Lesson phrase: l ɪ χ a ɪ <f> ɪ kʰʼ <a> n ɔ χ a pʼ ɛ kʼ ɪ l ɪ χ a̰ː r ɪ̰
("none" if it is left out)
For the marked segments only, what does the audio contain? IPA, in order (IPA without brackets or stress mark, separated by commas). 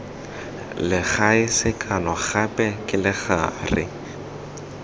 s, a